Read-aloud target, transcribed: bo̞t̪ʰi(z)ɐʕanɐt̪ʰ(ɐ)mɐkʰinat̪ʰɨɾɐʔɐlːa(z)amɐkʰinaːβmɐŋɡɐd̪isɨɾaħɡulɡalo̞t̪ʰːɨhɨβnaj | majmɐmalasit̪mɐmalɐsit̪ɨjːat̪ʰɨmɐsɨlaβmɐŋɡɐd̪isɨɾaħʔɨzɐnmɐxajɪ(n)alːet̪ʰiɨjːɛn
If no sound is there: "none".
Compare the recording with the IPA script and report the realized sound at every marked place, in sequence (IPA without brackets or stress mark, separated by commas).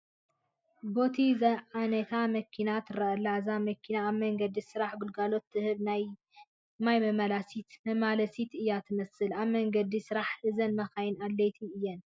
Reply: z, a, z, n